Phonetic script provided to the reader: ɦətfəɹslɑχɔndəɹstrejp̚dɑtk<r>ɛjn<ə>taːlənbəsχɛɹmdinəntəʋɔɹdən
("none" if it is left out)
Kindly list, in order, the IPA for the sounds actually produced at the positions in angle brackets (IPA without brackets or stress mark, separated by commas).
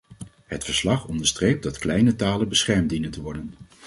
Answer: l, ə